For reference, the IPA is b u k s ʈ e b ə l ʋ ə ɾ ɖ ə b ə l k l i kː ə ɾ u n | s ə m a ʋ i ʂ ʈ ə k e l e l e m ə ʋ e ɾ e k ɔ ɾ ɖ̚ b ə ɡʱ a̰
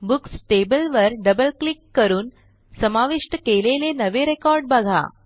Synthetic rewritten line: b u k s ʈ e b ə l ʋ ə ɾ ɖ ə b ə l k l i kː ə ɾ uː n | s ə m a ʋ i ʂ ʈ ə k e l e l e n ə ʋ e ɾ e k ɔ ɾ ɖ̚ b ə ɡʱ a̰